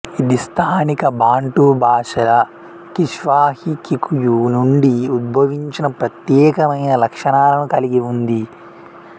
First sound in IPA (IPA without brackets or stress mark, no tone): i